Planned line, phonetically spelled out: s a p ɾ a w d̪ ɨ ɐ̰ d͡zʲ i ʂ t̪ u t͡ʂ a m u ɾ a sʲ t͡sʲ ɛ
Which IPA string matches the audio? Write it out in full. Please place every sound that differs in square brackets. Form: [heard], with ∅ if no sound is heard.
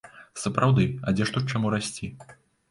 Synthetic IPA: s [ɐ] p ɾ a w d̪ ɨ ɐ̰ d͡zʲ [ɛ] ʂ t̪ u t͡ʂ a m u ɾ a sʲ t͡sʲ [i]

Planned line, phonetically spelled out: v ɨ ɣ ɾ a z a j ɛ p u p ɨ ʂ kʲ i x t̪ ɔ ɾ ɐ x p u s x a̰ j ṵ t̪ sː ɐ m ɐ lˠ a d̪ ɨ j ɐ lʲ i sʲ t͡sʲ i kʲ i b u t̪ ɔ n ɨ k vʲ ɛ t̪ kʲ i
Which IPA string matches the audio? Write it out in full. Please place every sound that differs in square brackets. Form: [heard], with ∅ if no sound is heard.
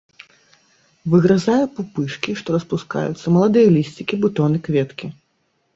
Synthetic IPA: v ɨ ɣ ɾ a z a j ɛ p u p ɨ ʂ kʲ i [ʂ] t̪ ɔ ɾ ɐ [s] p u s [k] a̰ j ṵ t̪ sː ɐ m ɐ lˠ a d̪ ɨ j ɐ lʲ i sʲ t͡sʲ i kʲ i b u t̪ ɔ n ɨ k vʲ ɛ t̪ kʲ i

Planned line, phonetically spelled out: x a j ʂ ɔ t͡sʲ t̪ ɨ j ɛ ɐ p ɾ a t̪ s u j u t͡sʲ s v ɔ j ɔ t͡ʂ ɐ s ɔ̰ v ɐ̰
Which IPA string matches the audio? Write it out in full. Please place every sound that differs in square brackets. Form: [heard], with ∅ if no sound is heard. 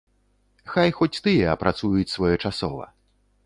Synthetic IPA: x a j [x] ɔ t͡sʲ t̪ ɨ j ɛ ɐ p ɾ a t̪ s u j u t͡sʲ s v ɔ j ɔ t͡ʂ [a] s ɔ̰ v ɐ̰

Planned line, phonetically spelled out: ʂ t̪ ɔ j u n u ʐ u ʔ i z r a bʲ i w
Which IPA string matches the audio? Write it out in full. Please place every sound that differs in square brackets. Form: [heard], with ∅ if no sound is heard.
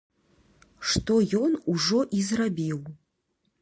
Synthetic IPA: ʂ t̪ ɔ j [ɔ] n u ʐ [ɔ] ʔ i z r a bʲ i w

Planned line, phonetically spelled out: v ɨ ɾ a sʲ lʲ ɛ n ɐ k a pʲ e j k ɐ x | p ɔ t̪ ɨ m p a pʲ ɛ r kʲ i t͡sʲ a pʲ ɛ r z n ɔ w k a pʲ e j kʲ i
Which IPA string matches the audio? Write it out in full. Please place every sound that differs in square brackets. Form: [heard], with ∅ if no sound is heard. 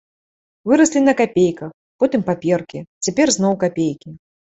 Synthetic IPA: v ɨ ɾ [ɐ] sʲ lʲ [i] n ɐ k a pʲ e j k ɐ x | p ɔ t̪ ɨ m p a pʲ ɛ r kʲ i t͡sʲ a pʲ ɛ r z n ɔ w k a pʲ e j kʲ i

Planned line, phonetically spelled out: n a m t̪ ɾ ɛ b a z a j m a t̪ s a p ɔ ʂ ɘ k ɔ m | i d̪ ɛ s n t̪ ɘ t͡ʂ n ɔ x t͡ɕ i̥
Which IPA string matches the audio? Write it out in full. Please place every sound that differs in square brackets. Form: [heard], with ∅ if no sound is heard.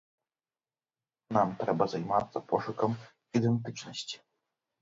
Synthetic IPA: n a m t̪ ɾ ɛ b a z a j m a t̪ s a p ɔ ʂ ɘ k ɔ m | i d̪ ɛ [∅] n t̪ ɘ t͡ʂ n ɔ [ɕ] t͡ɕ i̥

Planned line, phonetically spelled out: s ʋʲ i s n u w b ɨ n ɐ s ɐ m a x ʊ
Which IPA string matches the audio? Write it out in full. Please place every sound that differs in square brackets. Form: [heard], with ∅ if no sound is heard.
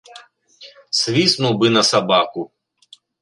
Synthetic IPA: s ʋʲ i s n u w b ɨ n ɐ s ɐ [b] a [k] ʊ

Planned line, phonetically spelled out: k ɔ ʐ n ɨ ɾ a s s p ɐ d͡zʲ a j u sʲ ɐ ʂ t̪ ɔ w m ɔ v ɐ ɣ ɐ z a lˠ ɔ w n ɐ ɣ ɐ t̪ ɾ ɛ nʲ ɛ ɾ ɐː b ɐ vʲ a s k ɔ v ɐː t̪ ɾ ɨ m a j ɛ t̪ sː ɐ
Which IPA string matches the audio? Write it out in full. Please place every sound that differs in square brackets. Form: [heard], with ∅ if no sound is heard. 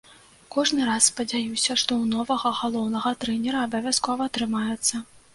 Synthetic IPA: k ɔ ʐ n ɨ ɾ a s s p ɐ d͡zʲ a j u sʲ ɐ ʂ t̪ ɔ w [n] ɔ v ɐ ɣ ɐ [ɣ] a lˠ ɔ w n ɐ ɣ ɐ t̪ ɾ ɛ nʲ ɛ ɾ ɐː b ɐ vʲ a s k ɔ v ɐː t̪ ɾ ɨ m a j ɛ t̪ sː ɐ

